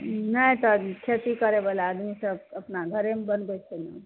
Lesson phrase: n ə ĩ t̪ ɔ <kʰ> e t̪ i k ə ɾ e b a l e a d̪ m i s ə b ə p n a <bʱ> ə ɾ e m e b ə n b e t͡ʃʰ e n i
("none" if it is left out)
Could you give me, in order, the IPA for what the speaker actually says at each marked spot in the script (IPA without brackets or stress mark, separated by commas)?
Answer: kʰ, ɡʱ